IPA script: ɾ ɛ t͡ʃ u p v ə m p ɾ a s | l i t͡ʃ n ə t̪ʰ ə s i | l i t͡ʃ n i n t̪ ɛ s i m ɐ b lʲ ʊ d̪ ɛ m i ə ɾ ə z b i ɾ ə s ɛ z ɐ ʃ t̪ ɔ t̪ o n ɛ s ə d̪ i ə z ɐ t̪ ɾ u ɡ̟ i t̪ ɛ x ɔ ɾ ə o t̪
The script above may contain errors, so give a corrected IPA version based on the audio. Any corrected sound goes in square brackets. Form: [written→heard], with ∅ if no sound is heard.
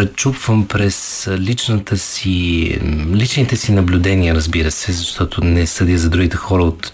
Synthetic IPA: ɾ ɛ t͡ʃ u p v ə m p ɾ [a→ɛ] s | l i t͡ʃ n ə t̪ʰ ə s i | l i t͡ʃ n i [n→∅] t̪ ɛ s i [m→n] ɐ b lʲ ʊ d̪ ɛ [m→n] i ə ɾ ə z b i ɾ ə s ɛ z ɐ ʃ t̪ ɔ t̪ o n ɛ s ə d̪ i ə z ɐ [t̪→d̪] ɾ u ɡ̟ i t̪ ɛ x ɔ ɾ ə o t̪